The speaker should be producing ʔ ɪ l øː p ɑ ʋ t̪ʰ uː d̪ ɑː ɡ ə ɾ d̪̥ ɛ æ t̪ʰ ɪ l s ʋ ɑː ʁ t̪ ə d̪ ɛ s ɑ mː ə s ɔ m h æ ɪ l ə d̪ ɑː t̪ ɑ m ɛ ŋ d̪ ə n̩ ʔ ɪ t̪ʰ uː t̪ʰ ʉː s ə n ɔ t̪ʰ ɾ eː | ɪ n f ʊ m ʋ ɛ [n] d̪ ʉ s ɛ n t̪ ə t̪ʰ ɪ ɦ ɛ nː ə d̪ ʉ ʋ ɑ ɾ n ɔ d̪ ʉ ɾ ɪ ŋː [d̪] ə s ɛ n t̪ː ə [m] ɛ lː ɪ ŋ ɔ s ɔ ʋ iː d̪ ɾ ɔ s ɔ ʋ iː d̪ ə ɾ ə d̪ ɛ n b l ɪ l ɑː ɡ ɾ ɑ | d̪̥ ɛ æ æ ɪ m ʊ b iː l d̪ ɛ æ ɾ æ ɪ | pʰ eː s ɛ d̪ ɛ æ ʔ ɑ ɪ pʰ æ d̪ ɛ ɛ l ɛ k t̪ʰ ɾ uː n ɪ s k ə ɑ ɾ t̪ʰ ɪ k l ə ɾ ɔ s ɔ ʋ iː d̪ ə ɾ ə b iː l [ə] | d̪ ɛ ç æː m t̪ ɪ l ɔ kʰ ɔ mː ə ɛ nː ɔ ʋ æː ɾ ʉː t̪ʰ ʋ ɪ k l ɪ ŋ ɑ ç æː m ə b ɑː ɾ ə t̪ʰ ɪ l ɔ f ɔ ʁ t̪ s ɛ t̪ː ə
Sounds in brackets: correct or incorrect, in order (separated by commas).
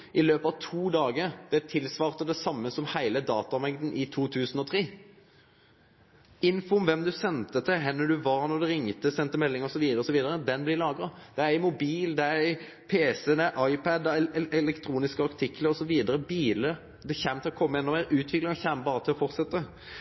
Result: incorrect, incorrect, correct, correct